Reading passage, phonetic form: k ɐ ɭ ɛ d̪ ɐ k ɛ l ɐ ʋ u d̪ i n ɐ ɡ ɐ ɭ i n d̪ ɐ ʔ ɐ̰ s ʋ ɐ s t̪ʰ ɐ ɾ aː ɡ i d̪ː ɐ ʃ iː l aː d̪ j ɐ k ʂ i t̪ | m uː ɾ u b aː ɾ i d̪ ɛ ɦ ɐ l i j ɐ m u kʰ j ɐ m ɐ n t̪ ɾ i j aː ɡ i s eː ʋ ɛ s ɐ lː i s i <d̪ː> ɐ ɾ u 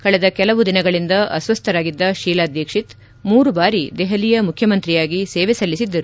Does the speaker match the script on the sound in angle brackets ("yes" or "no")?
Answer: yes